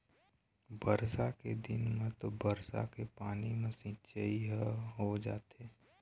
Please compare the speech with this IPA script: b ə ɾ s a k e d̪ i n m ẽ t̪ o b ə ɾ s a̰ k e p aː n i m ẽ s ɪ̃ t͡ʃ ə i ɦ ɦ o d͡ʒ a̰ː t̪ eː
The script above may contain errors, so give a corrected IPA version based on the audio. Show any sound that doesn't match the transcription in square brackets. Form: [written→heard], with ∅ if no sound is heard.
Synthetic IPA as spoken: b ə ɾ s a k e d̪ [i→ɪ] n m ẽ t̪ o b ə ɾ s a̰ k e p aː n i m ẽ s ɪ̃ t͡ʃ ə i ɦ ɦ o d͡ʒ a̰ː t̪ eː